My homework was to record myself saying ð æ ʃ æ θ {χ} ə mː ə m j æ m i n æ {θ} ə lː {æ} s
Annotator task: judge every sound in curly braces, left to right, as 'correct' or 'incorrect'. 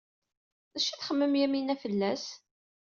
correct, incorrect, correct

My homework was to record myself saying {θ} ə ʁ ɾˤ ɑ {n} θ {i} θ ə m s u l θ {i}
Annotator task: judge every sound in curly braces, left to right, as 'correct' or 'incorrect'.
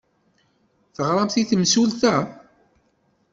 correct, incorrect, correct, incorrect

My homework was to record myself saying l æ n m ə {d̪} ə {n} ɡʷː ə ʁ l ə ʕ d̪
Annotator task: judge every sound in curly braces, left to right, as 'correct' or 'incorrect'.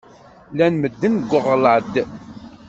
incorrect, correct

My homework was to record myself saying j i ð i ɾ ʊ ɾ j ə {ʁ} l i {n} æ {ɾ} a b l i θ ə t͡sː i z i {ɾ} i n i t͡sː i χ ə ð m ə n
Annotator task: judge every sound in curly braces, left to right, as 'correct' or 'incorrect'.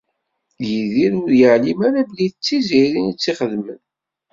incorrect, incorrect, correct, correct

